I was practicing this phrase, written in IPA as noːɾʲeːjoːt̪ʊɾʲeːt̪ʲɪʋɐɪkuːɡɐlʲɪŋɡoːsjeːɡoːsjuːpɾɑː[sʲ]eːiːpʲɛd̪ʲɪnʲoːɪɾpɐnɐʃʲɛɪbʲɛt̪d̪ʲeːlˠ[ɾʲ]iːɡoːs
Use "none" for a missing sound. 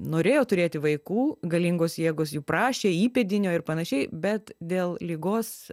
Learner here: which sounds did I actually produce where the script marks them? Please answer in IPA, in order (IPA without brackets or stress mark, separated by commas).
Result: ʃʲ, lʲ